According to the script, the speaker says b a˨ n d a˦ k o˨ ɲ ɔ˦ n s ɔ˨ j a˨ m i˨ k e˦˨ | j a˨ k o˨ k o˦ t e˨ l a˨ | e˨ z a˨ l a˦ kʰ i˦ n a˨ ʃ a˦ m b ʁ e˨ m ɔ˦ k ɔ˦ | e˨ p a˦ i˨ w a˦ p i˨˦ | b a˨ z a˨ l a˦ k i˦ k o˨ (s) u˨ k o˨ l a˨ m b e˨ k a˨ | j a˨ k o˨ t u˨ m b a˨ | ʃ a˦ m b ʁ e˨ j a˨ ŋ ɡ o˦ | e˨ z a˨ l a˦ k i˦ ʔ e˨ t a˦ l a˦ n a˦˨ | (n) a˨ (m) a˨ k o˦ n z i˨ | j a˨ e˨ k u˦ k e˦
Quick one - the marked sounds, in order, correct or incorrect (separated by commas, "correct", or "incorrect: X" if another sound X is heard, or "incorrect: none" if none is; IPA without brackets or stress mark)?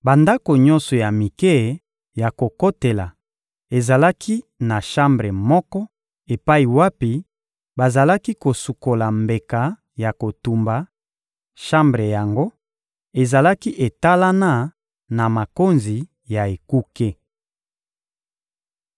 correct, correct, correct